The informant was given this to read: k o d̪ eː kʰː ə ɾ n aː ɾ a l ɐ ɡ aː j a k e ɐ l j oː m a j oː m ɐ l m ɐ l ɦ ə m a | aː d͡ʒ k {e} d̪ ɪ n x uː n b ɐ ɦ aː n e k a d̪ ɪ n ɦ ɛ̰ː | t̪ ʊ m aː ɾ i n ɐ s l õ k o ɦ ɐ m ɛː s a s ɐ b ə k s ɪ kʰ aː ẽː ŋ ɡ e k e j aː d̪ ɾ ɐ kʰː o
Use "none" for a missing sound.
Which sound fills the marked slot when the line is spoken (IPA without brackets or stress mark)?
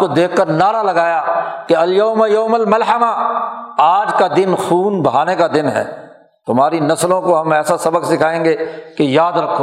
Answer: a